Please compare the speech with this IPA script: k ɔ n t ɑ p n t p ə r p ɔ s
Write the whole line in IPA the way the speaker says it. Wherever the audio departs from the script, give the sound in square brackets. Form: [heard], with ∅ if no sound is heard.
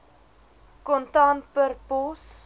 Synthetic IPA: k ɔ n t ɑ [∅] n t p ə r p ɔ s